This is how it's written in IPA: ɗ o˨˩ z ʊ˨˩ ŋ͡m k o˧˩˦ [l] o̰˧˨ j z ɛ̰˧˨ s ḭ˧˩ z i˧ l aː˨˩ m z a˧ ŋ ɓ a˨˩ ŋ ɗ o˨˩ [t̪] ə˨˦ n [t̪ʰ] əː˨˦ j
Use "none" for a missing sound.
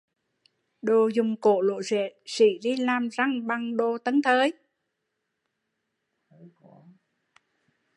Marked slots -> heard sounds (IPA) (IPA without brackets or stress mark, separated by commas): l, t̪, t̪ʰ